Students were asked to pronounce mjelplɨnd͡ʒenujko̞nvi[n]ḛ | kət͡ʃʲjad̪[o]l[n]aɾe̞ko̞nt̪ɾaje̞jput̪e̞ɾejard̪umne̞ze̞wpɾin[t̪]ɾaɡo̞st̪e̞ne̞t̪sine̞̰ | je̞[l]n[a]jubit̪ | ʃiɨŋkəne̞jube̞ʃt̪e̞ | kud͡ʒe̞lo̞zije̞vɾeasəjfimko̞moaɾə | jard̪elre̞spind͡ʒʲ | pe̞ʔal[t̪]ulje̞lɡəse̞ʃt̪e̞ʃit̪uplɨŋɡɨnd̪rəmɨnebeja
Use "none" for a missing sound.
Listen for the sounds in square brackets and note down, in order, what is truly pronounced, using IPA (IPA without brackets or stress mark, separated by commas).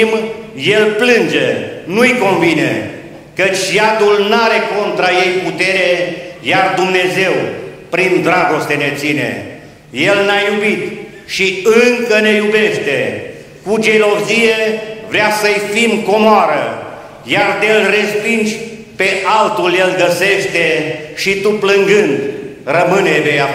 n, u, n, d̪, l, a, t̪